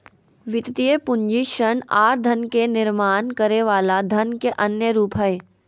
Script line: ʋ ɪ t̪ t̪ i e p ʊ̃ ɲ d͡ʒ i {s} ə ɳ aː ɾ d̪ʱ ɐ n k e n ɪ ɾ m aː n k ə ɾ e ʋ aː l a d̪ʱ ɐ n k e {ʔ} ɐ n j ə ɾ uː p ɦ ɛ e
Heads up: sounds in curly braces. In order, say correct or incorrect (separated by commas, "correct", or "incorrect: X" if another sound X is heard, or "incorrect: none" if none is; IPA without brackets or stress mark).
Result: incorrect: ʃ, correct